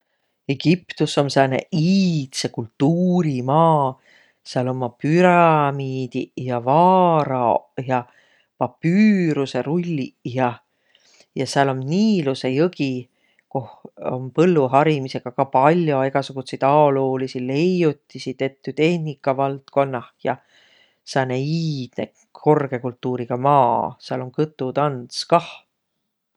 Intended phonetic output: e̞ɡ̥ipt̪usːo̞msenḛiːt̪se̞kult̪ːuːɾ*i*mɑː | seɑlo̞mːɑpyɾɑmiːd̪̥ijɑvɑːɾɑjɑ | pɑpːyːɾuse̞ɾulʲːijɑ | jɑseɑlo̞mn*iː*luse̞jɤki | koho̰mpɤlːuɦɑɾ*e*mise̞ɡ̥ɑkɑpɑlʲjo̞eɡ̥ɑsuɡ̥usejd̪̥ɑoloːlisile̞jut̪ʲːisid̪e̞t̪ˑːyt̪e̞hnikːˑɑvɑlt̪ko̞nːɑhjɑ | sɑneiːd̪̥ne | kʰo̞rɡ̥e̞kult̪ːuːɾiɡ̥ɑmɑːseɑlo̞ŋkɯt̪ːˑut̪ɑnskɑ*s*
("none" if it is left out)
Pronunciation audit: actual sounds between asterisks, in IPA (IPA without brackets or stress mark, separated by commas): i, iː, i, h